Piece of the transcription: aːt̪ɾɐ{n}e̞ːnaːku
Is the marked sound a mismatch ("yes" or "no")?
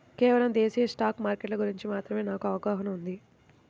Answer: yes